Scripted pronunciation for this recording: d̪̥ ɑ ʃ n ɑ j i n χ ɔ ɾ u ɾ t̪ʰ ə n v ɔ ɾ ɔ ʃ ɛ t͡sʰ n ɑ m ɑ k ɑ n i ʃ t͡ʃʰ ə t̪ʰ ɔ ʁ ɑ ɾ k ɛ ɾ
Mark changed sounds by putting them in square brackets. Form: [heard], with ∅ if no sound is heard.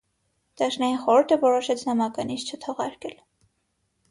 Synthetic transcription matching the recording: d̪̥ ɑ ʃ n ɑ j i n χ ɔ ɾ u ɾ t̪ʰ ə [∅] v ɔ ɾ ɔ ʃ ɛ t͡sʰ n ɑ m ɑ k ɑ n i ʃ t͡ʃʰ ə t̪ʰ ɔ ʁ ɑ ɾ k ɛ [l]